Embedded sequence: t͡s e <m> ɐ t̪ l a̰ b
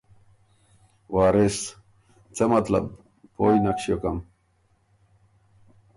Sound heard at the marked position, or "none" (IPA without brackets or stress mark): m